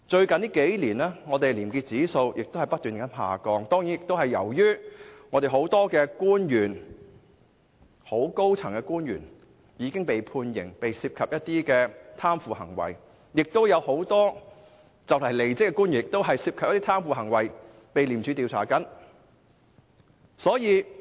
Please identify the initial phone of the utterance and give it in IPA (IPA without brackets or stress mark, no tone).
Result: t͡ʃ